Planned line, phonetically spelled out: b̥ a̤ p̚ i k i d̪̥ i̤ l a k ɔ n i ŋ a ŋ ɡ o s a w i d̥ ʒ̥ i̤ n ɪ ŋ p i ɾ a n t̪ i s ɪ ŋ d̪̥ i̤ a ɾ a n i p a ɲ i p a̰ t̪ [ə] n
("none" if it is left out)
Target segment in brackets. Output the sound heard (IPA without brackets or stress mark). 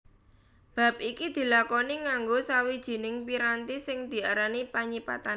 a